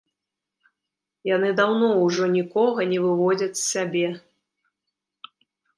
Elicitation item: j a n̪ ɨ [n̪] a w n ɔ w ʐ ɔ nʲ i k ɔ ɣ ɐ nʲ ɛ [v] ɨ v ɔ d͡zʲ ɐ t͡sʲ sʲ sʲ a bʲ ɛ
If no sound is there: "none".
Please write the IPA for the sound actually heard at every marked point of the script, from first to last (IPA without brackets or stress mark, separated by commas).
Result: d̪, v